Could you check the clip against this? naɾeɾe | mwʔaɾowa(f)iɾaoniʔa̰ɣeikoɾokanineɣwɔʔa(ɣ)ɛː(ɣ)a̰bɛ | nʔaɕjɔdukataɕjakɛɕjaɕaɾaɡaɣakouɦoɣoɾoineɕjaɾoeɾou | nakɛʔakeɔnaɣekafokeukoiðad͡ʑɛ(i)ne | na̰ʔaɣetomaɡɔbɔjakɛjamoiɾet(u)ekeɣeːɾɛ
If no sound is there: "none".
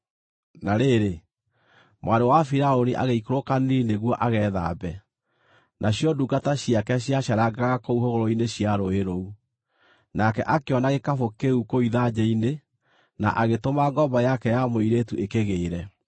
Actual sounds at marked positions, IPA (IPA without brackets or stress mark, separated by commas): f, ɣ, ð, i, u